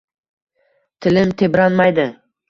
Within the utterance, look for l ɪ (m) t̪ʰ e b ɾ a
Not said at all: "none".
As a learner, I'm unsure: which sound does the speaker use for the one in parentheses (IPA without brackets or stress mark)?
m